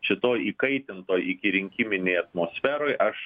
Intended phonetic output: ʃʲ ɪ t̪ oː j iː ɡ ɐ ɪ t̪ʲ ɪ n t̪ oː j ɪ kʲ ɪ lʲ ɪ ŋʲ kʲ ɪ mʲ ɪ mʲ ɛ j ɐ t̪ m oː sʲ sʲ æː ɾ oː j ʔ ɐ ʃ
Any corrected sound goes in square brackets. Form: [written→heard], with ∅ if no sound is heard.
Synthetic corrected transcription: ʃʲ ɪ t̪ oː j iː [ɡ→k] ɐ ɪ t̪ʲ ɪ n t̪ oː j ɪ kʲ ɪ [lʲ→ɾʲ] ɪ ŋʲ kʲ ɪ mʲ ɪ [mʲ→nʲ] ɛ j ɐ t̪ m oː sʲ [sʲ→fʲ] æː ɾ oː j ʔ ɐ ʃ